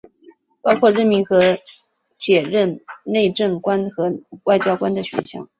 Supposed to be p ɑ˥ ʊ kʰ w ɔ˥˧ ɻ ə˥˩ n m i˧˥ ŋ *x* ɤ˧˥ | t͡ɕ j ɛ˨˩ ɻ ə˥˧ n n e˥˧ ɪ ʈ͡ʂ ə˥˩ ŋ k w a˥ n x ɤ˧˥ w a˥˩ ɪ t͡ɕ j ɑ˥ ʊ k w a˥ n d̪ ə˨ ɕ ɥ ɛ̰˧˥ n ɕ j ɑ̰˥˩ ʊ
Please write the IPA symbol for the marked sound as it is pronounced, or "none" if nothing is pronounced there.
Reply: x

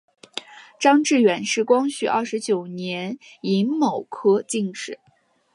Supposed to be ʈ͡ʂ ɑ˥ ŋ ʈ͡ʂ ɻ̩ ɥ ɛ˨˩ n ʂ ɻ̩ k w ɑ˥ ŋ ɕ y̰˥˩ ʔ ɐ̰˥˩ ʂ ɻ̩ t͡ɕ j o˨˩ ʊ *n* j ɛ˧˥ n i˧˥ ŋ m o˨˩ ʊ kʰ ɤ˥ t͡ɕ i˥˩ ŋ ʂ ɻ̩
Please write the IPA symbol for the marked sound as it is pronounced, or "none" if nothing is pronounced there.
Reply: n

